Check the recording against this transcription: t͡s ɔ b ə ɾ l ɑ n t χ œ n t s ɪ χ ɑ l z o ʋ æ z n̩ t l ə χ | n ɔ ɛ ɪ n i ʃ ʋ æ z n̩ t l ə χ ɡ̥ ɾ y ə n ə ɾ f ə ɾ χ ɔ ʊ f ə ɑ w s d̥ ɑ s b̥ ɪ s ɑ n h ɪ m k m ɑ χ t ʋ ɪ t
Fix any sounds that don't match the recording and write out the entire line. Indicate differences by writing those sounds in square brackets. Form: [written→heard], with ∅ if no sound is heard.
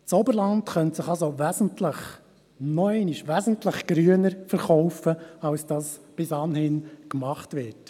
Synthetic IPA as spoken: t͡s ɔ b ə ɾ l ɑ n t χ œ n t s ɪ χ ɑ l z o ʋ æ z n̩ t l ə χ | n ɔ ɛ ɪ n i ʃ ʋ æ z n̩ t l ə χ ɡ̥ ɾ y ə n ə ɾ f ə ɾ χ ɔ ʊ f ə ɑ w s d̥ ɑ s b̥ ɪ s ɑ n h ɪ [m→n] k m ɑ χ t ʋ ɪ t